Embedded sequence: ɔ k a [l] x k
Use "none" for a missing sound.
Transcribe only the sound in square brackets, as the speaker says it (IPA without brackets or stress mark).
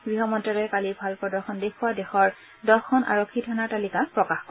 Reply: none